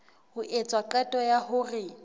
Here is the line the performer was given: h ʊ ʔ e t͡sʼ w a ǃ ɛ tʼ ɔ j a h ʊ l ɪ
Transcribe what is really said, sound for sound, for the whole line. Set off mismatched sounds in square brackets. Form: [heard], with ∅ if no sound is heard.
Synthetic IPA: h ʊ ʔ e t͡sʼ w a ǃ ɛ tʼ ɔ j a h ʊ [r] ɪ